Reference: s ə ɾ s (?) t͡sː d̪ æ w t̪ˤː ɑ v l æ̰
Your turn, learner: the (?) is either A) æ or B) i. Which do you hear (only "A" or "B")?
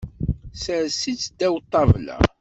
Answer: B